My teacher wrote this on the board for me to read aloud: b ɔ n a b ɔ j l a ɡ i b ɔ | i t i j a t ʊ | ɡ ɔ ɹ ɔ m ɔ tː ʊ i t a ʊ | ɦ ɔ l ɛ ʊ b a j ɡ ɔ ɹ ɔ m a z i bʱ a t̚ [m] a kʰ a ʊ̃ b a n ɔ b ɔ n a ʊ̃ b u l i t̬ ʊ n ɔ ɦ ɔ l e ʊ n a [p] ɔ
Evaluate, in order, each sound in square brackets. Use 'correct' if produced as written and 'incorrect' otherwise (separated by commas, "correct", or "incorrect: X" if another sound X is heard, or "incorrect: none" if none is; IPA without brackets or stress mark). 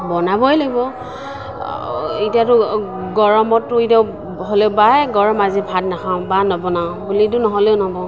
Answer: incorrect: n, incorrect: b